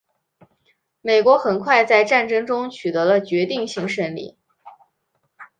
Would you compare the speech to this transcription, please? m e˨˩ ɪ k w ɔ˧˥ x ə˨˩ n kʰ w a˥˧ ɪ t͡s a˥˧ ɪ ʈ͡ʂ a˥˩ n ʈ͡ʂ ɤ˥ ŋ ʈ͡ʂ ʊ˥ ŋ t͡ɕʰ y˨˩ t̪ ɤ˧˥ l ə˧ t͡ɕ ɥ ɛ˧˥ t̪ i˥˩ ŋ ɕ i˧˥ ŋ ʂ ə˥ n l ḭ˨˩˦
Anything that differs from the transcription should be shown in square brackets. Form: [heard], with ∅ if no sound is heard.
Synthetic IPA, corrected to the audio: m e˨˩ ɪ k w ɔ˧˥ x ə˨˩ n kʰ w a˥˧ ɪ t͡s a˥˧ ɪ ʈ͡ʂ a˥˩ n ʈ͡ʂ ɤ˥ ŋ ʈ͡ʂ ʊ˥ ŋ t͡ɕʰ y˨˩ t̪ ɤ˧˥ l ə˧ t͡ɕ ɥ ɛ˧˥ t̪ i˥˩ ŋ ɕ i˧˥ ŋ ʂ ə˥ n l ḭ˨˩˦